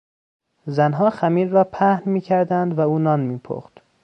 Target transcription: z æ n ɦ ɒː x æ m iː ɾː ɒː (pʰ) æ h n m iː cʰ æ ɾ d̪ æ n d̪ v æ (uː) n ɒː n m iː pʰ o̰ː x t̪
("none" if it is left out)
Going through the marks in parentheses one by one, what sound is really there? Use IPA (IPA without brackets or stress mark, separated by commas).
pʰ, uː